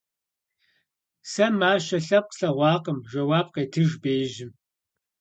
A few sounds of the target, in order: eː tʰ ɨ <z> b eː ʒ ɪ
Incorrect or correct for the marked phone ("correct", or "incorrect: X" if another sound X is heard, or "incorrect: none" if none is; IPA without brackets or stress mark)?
incorrect: ʒ